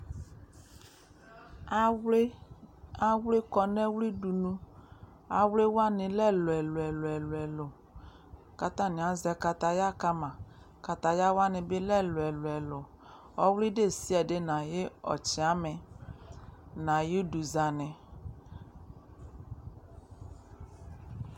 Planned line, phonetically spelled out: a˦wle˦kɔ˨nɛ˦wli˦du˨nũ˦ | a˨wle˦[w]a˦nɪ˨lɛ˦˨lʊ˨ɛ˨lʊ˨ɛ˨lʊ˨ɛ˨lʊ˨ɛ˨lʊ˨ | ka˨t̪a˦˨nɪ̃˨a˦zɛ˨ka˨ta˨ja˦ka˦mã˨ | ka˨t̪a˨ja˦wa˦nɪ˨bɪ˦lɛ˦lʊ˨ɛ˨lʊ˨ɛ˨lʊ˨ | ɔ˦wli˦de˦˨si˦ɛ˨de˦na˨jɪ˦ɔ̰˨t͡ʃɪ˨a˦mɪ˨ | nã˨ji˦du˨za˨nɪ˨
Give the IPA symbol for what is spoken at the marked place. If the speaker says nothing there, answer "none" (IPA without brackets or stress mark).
w